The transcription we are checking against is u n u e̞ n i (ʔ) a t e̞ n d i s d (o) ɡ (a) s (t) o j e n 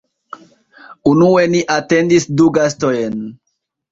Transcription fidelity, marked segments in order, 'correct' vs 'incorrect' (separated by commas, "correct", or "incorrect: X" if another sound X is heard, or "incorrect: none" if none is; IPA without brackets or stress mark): correct, incorrect: u, correct, correct